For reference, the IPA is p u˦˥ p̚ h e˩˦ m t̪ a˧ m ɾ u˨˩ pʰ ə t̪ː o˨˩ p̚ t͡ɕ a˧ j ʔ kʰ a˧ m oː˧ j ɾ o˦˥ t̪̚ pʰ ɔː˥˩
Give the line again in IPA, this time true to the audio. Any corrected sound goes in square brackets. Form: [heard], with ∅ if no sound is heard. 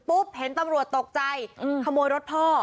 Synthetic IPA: p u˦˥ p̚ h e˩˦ [n] t̪ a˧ m ɾ u˨˩ [∅] ə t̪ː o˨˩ [k̚] t͡ɕ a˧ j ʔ kʰ a˧ m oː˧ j ɾ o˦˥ t̪̚ pʰ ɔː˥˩